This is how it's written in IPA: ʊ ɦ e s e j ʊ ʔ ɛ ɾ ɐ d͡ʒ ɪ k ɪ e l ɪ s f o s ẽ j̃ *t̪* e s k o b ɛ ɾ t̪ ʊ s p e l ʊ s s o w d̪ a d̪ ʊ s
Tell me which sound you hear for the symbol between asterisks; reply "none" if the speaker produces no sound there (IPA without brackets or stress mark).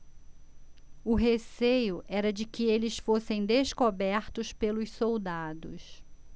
d̪